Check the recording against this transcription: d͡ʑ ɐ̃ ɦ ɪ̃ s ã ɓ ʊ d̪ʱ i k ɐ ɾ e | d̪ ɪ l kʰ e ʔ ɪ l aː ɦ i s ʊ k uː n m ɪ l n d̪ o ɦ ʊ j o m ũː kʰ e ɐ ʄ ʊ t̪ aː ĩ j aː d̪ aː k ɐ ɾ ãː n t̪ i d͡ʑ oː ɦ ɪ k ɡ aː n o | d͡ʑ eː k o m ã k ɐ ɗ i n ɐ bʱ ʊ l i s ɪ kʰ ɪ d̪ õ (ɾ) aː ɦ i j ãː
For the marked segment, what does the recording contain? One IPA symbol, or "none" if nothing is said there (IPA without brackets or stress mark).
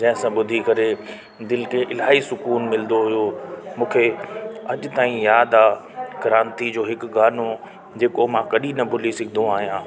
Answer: none